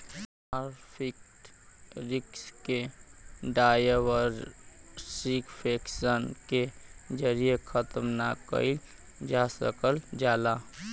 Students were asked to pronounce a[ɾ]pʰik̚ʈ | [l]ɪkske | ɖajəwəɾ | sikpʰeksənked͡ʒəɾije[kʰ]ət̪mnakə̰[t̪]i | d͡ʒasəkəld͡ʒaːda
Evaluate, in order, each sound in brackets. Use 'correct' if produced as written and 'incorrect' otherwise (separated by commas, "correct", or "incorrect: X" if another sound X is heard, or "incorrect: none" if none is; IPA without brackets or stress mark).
correct, incorrect: ɾ, correct, incorrect: none